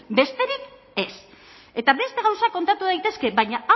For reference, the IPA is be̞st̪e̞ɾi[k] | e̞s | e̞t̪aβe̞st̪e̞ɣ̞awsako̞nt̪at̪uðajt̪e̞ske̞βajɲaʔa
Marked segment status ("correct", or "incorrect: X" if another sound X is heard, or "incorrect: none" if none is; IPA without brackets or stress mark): correct